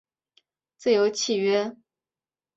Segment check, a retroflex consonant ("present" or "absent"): absent